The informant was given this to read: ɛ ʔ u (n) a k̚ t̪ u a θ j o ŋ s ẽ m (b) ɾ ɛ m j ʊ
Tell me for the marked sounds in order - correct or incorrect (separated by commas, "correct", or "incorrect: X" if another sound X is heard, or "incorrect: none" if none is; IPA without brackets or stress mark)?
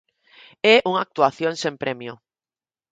incorrect: ŋ, incorrect: p